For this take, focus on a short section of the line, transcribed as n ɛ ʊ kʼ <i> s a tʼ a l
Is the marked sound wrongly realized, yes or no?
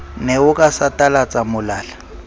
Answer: yes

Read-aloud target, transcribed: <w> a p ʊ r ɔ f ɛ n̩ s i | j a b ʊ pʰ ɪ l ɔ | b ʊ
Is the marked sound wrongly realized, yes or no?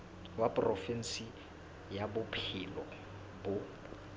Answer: no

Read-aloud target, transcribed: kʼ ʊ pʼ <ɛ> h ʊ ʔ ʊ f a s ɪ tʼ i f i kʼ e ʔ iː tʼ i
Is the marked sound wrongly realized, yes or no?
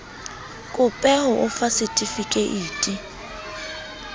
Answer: no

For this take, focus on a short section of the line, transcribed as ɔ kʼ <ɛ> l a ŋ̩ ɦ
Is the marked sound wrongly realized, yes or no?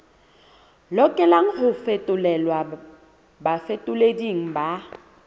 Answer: no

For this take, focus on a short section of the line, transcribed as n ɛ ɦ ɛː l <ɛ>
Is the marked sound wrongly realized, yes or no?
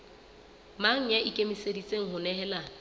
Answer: yes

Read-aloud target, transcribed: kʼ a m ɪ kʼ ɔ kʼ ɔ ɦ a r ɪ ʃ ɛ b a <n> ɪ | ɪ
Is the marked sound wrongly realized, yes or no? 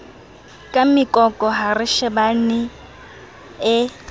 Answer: no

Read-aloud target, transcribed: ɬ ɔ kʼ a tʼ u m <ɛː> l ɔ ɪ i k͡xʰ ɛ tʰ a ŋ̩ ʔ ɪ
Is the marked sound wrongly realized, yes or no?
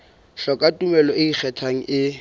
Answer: yes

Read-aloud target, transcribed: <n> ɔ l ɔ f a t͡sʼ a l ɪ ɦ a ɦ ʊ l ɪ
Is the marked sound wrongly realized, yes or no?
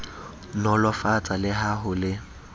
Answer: no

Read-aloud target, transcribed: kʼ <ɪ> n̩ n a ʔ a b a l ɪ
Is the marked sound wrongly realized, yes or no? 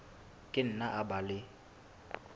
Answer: no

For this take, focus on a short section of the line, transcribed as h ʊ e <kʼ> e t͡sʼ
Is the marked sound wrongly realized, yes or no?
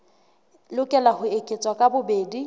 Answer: no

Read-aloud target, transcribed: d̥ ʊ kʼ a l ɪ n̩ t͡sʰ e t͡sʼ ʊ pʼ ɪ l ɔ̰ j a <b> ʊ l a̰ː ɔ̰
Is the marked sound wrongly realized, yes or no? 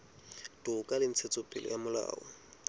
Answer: yes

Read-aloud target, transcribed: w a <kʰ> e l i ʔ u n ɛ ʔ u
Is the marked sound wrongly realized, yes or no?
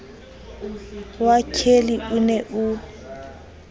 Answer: no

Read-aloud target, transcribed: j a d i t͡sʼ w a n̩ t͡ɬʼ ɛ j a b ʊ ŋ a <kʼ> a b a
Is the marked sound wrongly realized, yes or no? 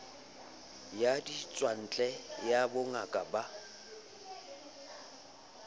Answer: no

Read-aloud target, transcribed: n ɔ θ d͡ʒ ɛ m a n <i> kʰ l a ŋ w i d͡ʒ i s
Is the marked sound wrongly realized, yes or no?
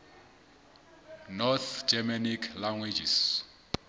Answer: no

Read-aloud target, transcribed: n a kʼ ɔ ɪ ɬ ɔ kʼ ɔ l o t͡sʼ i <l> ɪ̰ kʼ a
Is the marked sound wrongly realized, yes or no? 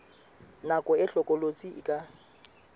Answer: yes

